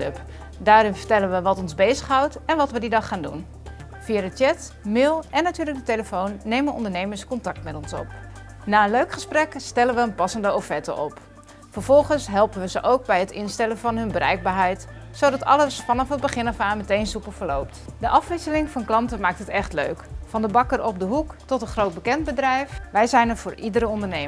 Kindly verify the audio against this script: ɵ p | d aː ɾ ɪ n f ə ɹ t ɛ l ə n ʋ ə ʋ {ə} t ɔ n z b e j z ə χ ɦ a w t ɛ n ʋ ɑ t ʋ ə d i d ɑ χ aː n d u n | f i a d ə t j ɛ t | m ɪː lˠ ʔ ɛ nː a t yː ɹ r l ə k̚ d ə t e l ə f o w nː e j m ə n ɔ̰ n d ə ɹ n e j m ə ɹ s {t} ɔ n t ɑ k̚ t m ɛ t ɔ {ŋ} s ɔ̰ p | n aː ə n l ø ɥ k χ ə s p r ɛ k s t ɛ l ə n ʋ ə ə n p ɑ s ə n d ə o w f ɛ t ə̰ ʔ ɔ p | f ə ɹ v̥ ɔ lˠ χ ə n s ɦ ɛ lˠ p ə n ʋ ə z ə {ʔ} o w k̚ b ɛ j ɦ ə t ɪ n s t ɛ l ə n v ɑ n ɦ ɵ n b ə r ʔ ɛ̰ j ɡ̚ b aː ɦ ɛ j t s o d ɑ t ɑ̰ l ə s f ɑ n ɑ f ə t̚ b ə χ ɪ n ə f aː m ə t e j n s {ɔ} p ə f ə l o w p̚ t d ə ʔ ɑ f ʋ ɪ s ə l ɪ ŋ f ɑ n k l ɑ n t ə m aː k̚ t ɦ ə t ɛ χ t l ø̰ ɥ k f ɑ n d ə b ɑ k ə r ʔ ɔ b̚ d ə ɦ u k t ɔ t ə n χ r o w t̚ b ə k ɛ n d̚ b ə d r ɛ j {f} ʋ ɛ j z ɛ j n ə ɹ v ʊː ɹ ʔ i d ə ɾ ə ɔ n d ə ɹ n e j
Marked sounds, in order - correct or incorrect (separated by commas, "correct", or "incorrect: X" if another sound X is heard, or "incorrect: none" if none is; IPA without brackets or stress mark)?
incorrect: ɑ, incorrect: k, incorrect: n, correct, incorrect: u, correct